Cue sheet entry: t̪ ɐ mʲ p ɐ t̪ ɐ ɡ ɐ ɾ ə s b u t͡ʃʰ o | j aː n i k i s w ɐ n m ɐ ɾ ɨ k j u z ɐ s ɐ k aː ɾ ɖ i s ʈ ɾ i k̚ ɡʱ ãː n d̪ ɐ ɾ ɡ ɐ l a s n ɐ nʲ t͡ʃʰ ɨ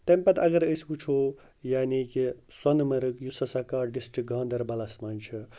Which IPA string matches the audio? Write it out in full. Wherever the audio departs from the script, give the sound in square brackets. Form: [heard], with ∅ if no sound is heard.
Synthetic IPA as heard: t̪ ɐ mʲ p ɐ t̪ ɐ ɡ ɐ ɾ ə s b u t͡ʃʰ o | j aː n i k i s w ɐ n m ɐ ɾ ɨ k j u [s] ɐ s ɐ k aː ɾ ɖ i s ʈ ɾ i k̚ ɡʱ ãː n d̪ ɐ ɾ [b] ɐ l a s [m] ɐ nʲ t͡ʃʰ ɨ